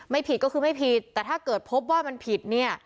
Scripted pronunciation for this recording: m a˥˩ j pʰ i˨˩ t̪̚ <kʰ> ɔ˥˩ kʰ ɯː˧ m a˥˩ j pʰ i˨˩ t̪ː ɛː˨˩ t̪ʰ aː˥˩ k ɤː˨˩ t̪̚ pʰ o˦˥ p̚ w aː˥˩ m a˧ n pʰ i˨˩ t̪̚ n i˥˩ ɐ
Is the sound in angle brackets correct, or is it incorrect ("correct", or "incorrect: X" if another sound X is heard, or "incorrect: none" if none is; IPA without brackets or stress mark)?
incorrect: k